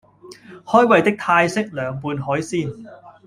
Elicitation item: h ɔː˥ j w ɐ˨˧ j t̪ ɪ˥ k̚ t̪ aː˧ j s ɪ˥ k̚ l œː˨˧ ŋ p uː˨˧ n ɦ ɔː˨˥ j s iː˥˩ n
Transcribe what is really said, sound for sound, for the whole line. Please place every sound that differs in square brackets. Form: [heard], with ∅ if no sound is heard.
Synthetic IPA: h ɔː˥ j w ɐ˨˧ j t̪ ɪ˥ k̚ [t̪ʰ] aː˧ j s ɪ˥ k̚ l œː˨˧ ŋ p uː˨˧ n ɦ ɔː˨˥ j s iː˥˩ n